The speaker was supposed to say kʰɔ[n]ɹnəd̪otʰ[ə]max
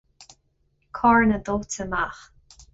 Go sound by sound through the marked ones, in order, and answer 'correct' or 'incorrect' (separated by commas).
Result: incorrect, correct